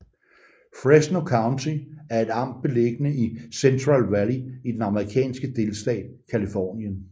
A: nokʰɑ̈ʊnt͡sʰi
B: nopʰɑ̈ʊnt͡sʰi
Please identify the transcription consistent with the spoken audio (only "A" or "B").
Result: A